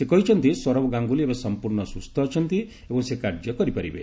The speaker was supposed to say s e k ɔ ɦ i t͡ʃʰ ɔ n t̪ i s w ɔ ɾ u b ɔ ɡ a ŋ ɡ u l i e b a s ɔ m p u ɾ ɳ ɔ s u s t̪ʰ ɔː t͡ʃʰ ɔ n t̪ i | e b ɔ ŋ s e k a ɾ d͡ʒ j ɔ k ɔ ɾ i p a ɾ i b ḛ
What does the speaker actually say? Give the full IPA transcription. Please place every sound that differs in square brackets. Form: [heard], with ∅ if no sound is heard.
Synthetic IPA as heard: s e k ɔ ɦ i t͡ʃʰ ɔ n t̪ i s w ɔ ɾ [ɔ] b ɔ ɡ a ŋ ɡ u l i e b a s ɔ m p u ɾ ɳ ɔ s u s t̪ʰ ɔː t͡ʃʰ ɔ n t̪ i | e b ɔ ŋ s e k a ɾ d͡ʒ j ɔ k ɔ ɾ i p a ɾ i b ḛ